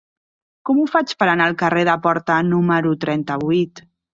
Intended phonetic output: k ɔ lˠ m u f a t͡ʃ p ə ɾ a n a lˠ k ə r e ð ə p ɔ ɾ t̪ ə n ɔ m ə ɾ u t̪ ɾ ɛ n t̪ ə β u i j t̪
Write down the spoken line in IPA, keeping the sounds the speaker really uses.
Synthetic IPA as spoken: k ɔ m u f a t͡ʃ p ə ɾ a n a lˠ k ə r e ð ə p ɔ ɾ t̪ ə n u m ə ɾ u t̪ ɾ ɛ n t̪ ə β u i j t̪